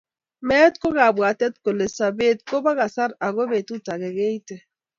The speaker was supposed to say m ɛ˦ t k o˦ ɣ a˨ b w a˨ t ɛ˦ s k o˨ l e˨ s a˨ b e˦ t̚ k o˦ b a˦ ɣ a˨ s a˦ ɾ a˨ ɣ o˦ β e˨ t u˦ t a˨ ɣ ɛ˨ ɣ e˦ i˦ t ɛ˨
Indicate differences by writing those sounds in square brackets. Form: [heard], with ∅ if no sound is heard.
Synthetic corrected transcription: m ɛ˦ t k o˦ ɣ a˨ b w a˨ t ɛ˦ [t] k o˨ l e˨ s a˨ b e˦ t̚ k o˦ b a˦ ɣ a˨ s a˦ ɾ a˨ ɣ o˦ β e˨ t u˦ t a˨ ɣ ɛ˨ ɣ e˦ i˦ t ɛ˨